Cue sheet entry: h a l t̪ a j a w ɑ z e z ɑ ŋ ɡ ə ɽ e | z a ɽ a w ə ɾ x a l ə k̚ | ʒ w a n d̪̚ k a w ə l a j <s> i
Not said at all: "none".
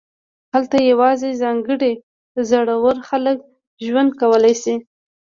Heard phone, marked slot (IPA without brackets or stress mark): s